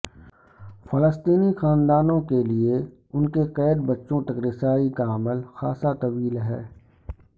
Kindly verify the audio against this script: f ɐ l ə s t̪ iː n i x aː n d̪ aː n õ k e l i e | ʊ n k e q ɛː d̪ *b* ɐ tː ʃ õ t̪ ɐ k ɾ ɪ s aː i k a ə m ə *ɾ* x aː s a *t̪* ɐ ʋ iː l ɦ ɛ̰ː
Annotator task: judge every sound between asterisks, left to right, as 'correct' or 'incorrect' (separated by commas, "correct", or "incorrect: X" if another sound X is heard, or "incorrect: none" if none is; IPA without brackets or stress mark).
correct, incorrect: l, correct